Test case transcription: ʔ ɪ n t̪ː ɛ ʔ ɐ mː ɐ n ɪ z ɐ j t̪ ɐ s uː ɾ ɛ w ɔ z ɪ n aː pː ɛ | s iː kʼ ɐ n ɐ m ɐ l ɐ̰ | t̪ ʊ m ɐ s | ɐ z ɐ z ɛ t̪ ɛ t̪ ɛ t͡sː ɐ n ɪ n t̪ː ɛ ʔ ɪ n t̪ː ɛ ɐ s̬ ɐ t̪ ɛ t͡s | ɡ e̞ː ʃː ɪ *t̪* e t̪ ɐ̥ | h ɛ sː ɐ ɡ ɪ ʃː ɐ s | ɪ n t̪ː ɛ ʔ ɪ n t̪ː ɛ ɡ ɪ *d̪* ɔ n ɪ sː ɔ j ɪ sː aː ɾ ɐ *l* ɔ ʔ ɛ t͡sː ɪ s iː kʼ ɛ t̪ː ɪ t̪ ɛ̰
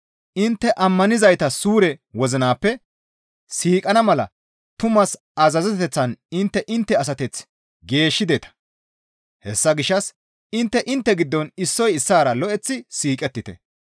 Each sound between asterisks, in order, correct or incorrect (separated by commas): incorrect, incorrect, correct